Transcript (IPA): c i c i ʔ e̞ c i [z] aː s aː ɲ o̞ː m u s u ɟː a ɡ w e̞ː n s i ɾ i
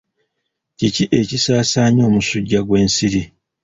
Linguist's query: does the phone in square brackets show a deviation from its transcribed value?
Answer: yes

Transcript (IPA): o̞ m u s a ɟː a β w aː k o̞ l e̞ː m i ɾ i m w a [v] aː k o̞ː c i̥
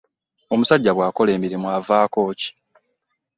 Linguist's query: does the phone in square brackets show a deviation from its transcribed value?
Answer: no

